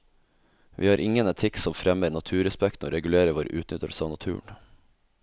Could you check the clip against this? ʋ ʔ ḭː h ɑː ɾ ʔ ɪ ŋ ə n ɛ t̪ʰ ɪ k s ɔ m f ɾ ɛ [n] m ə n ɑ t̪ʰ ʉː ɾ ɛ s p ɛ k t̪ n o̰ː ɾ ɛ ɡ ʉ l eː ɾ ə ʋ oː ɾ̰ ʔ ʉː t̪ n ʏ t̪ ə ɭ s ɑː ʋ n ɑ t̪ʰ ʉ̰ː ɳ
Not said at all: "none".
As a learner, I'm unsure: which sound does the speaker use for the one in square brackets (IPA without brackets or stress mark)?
none